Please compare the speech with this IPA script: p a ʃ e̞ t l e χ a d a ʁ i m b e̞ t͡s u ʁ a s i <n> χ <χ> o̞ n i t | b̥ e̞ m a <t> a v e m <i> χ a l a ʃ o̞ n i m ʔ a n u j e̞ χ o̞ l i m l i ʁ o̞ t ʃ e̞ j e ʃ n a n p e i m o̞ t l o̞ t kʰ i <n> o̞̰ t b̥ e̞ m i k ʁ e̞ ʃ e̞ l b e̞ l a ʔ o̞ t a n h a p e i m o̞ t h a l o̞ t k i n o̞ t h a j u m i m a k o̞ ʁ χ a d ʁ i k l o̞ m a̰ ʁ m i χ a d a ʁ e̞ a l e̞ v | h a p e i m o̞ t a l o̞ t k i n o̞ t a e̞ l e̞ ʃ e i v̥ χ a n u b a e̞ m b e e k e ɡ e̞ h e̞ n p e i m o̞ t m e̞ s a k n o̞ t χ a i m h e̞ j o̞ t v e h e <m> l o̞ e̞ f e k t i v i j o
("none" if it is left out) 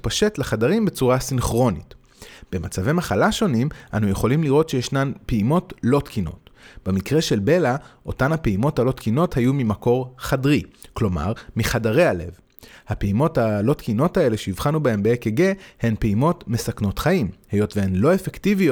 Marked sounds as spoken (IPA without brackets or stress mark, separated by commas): n, ʁ, t͡s, a, n, n